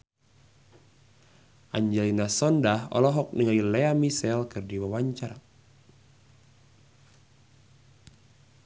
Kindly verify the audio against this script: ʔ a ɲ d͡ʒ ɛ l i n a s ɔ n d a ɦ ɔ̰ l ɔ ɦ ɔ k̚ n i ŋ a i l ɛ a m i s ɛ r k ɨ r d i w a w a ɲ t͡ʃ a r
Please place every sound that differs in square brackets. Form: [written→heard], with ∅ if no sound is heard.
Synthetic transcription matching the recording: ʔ a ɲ d͡ʒ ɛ l i n a s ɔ n d a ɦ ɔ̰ l ɔ ɦ ɔ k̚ n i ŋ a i l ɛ a m i s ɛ [r→l] k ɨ r d i w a w a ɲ t͡ʃ a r